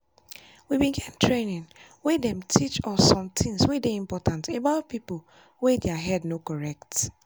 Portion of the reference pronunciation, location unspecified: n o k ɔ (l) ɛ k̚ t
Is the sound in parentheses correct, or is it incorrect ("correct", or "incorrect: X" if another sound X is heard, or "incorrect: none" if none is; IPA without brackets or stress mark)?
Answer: incorrect: ɹ